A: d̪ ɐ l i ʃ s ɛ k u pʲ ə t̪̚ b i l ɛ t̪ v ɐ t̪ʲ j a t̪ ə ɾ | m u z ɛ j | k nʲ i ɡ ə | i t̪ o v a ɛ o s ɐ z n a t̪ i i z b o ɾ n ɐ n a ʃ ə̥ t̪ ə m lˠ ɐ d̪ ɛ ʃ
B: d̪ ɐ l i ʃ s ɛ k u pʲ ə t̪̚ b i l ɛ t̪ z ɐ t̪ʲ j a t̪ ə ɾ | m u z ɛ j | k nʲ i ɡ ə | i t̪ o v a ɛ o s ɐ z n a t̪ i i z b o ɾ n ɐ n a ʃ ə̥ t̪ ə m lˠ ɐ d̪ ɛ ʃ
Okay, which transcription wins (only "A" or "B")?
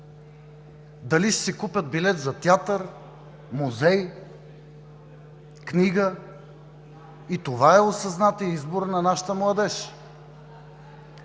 B